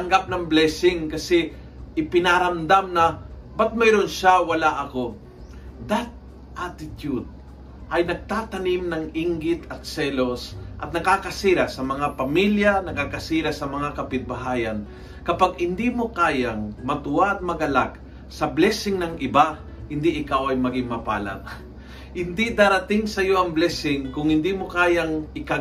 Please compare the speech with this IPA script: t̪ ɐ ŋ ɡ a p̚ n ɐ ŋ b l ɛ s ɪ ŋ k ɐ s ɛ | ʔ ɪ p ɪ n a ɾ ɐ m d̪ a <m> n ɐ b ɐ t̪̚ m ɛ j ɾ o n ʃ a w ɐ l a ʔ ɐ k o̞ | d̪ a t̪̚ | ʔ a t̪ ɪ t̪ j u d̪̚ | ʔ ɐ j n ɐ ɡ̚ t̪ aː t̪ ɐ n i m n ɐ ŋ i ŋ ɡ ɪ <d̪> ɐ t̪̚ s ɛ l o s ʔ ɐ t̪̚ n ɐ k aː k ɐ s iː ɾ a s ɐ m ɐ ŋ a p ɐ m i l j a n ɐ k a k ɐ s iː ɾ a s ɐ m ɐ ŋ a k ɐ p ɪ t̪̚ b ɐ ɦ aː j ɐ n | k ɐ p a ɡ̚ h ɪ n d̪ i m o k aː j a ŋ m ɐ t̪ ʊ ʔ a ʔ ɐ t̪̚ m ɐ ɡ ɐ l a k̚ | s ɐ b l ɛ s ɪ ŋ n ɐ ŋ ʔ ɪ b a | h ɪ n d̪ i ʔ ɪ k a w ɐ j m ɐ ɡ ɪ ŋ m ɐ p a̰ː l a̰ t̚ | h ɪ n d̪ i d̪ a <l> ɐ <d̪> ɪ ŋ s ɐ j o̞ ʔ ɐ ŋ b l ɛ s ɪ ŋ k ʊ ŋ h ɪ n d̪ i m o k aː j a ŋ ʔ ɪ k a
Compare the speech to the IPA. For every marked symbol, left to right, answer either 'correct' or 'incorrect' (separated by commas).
correct, incorrect, incorrect, incorrect